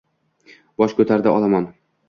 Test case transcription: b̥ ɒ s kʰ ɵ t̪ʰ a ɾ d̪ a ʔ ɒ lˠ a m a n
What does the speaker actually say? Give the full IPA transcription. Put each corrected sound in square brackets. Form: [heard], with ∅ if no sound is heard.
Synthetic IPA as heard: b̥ ɒ [ʃ] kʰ ɵ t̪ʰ a ɾ d̪ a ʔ ɒ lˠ a m a n